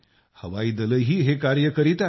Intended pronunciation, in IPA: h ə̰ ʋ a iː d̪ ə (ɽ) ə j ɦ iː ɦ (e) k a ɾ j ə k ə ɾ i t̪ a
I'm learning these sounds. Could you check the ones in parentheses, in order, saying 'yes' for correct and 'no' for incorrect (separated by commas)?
no, yes